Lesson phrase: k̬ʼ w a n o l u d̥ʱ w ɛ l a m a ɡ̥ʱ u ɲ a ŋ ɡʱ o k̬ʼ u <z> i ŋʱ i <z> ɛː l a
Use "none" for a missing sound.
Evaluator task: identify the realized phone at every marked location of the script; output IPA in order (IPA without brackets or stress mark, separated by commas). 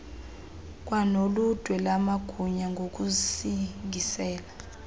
s, s